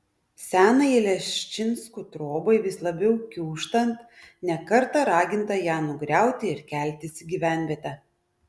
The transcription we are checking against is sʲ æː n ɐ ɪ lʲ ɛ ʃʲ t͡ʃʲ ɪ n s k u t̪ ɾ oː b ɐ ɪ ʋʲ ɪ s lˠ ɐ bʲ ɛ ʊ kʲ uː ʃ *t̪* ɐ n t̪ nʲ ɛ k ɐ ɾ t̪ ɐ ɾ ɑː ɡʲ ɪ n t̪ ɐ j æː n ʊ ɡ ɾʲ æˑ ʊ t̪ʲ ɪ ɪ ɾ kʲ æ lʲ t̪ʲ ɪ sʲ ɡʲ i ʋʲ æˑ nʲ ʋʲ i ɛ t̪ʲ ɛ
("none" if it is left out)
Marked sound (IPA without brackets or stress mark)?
t̪